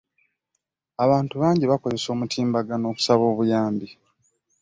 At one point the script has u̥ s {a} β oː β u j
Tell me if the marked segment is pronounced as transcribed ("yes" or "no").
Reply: yes